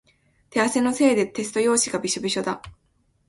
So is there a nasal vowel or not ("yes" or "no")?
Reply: no